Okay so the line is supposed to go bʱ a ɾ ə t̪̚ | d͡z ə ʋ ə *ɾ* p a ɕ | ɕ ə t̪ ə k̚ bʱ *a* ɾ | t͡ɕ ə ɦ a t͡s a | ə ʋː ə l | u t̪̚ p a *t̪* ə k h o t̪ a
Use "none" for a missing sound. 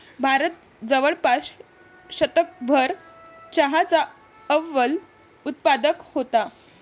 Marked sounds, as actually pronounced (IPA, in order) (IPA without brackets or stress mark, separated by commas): ɭ, ə, d̪